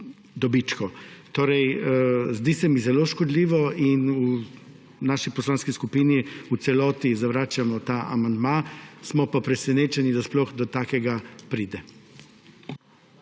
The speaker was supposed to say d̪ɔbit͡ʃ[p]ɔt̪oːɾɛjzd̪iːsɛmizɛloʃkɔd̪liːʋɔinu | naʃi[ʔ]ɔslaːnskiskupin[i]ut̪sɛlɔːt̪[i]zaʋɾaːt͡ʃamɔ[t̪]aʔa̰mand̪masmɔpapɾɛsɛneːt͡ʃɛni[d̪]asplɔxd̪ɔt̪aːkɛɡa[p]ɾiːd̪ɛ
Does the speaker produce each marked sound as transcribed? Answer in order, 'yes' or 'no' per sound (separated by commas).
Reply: no, no, yes, yes, yes, yes, yes